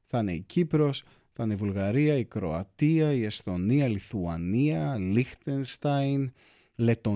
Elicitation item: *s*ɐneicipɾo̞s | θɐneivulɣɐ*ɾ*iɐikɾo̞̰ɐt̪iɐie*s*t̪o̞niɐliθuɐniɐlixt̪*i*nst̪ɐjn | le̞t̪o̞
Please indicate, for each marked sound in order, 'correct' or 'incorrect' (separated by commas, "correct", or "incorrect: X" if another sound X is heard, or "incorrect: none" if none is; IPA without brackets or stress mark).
incorrect: θ, correct, correct, incorrect: e